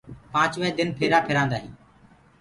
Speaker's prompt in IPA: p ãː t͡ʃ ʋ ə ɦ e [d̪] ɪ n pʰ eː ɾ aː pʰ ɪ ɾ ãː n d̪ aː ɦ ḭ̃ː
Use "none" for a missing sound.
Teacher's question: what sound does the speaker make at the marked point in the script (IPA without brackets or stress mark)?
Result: d̪